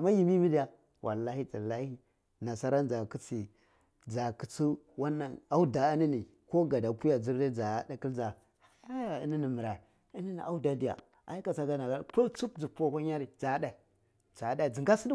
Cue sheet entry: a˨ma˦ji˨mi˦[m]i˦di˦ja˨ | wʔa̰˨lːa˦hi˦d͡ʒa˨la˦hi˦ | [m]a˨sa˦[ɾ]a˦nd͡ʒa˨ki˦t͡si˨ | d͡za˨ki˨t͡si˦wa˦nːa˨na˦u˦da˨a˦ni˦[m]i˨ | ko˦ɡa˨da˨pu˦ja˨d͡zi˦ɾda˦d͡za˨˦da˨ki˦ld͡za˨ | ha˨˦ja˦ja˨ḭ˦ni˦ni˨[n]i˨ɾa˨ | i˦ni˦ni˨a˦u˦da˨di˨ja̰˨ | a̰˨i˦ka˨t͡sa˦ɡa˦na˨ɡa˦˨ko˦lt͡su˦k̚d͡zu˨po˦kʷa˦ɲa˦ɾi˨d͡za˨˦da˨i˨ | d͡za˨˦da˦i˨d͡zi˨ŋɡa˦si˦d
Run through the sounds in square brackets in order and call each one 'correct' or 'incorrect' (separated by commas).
correct, incorrect, correct, incorrect, incorrect